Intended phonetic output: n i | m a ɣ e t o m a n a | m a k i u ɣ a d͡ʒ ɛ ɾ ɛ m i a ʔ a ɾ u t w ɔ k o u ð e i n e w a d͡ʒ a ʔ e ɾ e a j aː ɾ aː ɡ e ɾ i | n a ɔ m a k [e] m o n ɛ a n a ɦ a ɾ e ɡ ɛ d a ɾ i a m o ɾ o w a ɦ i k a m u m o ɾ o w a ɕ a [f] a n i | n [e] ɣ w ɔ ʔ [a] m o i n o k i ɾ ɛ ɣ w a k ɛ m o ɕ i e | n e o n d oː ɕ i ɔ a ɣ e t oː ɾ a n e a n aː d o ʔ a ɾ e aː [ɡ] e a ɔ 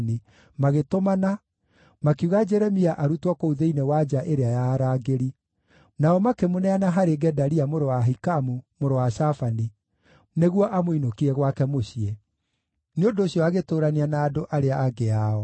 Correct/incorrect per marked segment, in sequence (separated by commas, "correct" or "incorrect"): correct, correct, correct, correct, correct